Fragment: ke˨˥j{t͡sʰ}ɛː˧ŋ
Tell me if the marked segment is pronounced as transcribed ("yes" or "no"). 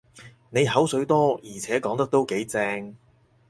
no